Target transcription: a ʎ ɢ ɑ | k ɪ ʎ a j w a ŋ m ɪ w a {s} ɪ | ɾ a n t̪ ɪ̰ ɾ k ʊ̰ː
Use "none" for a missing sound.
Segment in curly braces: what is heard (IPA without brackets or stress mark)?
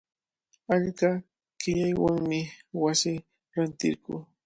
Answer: s